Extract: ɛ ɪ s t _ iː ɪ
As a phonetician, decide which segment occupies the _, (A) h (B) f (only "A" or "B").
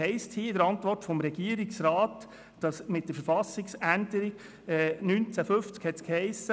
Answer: A